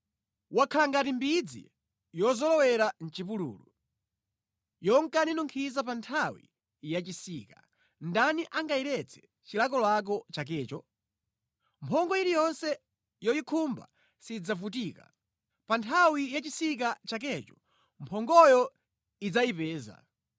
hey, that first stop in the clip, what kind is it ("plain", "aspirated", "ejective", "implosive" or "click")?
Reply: aspirated